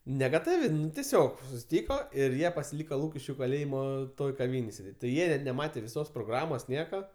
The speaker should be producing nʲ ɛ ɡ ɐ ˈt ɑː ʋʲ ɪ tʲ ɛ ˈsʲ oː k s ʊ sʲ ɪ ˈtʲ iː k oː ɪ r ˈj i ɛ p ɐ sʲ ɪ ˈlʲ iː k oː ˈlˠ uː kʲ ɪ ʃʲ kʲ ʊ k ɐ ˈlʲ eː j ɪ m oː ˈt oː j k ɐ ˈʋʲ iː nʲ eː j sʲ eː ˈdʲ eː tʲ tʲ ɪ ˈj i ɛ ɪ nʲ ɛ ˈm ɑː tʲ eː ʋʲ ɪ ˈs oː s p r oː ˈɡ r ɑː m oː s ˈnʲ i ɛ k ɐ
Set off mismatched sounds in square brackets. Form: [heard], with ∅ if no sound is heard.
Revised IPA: nʲ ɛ ɡ ɐ ˈt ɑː ʋʲ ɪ tʲ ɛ ˈsʲ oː k s ʊ sʲ ɪ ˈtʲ iː k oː ɪ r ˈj i ɛ p ɐ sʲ ɪ ˈlʲ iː k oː ˈlˠ uː kʲ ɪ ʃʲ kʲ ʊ k ɐ ˈlʲ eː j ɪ m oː ˈt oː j k ɐ ˈʋʲ iː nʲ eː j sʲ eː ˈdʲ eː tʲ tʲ ɪ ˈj i ɛ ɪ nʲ ɛ ˈm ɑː tʲ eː ʋʲ ɪ ˈs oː s p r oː ˈɡ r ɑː m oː s ˈnʲ i ɛ k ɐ